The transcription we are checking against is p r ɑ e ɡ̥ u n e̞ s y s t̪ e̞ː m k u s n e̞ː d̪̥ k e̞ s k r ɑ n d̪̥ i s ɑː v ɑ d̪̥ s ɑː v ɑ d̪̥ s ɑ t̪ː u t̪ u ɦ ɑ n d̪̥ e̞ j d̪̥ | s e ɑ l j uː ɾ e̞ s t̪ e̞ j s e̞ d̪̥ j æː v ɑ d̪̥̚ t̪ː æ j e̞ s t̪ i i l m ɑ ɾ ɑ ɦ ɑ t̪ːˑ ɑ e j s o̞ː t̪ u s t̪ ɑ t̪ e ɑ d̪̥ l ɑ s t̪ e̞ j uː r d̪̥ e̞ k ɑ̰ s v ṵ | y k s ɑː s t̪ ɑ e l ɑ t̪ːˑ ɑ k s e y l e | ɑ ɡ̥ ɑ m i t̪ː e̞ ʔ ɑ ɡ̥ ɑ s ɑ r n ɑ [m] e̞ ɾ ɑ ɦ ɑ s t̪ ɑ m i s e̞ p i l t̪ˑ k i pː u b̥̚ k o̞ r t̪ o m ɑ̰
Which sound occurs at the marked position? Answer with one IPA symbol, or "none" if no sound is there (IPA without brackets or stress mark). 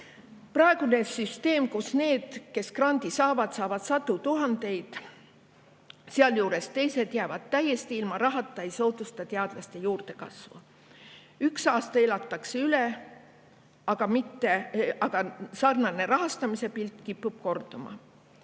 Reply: n